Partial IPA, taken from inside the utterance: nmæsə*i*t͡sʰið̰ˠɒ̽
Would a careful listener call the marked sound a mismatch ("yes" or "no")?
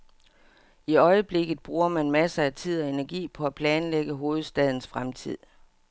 yes